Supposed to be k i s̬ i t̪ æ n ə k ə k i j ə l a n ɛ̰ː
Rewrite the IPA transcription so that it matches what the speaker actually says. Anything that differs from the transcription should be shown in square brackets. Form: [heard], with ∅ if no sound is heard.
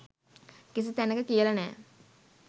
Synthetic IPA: k i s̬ i t̪ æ n ə k ə k i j ə l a n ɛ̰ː

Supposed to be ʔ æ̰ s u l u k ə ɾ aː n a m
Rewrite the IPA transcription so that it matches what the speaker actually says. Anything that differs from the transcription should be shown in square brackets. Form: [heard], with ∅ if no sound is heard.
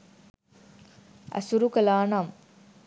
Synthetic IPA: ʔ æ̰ s u [ɾ] u k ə [l] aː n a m

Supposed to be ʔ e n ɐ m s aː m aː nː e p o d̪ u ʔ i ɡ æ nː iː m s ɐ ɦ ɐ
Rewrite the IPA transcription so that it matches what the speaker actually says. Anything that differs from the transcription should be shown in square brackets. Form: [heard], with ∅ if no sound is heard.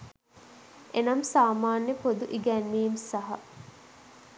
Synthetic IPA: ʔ e n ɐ m s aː m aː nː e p o d̪ u ʔ i ɡ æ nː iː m s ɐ ɦ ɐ

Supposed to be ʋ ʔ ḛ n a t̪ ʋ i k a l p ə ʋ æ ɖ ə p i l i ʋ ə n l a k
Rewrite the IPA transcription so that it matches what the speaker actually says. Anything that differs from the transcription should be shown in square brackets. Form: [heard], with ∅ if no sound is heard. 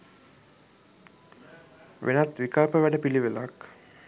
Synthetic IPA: ʋ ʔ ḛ n a t̪ ʋ i k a l p ə ʋ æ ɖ ə p i l i ʋ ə [∅] l a k

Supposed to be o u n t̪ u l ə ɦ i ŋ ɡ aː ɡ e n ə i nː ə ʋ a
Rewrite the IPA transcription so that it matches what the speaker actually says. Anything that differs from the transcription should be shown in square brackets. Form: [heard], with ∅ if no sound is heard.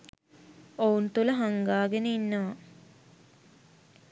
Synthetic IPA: o u n t̪ u l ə ɦ [a] ŋ ɡ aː ɡ e n ə i nː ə ʋ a

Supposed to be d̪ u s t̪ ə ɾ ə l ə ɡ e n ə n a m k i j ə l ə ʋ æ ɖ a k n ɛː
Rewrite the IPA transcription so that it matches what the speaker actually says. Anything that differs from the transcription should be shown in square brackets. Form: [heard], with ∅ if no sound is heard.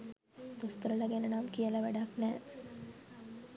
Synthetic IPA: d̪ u s t̪ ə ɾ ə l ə ɡ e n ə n a m k i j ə l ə ʋ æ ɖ a k n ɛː

